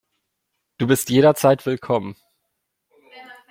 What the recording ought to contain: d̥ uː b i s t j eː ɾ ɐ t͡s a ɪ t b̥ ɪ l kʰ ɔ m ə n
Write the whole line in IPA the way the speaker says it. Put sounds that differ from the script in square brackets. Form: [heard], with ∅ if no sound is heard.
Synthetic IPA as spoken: d̥ uː b [ɪ] s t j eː ɾ ɐ t͡s a ɪ t [v̥] ɪ l kʰ ɔ m ə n